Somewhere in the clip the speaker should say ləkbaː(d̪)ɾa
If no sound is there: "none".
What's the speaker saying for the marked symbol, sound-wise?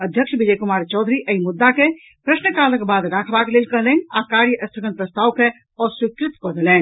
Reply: d̪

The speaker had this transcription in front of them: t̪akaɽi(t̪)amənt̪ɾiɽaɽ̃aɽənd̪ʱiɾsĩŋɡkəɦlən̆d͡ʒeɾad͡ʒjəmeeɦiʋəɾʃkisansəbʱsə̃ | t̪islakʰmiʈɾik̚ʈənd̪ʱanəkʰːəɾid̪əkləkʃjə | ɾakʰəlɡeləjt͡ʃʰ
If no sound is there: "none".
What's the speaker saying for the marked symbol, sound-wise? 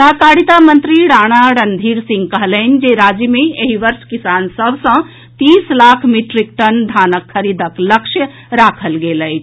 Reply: t̪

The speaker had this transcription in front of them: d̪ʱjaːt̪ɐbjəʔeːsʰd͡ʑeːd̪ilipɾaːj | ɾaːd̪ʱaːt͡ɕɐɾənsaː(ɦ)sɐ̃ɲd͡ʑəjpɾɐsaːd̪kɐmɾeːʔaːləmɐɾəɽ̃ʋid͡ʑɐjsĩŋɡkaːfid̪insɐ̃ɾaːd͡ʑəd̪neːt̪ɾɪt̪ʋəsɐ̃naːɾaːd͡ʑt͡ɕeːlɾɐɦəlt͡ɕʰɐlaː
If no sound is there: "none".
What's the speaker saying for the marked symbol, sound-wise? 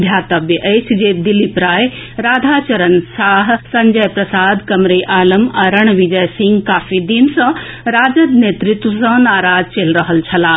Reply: ɦ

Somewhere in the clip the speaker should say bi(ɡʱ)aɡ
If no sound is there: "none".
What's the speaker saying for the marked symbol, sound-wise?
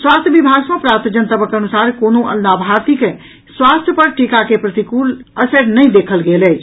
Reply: bʱ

